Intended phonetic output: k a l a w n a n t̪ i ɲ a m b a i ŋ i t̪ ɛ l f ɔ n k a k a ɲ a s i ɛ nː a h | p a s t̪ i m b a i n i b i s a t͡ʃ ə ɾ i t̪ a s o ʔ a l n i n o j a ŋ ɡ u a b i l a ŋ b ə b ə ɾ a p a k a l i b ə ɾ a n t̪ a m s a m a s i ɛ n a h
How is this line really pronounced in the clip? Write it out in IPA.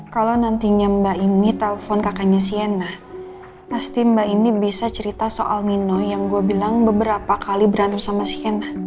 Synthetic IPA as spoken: k a l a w n a n t̪ i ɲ a m b a i n i t̪ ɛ l f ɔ n k a k a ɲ a s i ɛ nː a h | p a s t̪ i m b a i n i b i s a t͡ʃ ə ɾ i t̪ a s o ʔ a l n i n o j a ŋ ɡ u a b i l a ŋ b ə b ə ɾ a p a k a l i b ə ɾ a n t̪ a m s a m a s i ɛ n a h